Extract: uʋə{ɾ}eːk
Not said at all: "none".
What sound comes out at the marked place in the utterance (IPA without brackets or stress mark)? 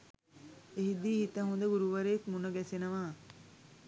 ɾ